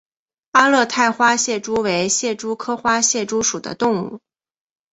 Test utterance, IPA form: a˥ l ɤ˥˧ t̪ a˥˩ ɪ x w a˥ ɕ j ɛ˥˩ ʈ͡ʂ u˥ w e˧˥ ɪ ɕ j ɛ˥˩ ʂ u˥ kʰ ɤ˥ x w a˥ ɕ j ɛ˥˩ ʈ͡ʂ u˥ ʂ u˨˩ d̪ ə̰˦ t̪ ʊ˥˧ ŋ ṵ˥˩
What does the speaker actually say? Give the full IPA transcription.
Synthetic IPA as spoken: a˥ l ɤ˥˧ t̪ʰ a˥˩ ɪ x w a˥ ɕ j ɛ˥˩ ʈ͡ʂ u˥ w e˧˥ ɪ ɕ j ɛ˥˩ ʈ͡ʂ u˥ kʰ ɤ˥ x w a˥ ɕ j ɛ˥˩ ʈ͡ʂ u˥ ʂ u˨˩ d̪ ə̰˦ t̪ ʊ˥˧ ŋ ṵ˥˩